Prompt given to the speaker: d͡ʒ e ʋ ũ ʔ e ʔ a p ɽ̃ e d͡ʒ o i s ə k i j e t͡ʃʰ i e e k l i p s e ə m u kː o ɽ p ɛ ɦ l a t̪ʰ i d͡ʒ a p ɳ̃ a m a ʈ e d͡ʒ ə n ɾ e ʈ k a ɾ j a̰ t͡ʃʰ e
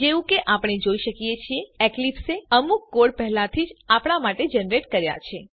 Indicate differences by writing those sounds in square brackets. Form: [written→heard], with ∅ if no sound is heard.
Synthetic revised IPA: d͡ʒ e ʋ ũ [ʔ→k] e ʔ a p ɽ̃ e d͡ʒ o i [s→ʃ] ə k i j e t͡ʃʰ i e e k l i p s e ə m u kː o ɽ p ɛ ɦ l a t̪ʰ i d͡ʒ a p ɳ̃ a m a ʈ e d͡ʒ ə n ɾ e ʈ k [a→ə] ɾ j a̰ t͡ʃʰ e